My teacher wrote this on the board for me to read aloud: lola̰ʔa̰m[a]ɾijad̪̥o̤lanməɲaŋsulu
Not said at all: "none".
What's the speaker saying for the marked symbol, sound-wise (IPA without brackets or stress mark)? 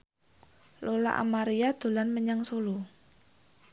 a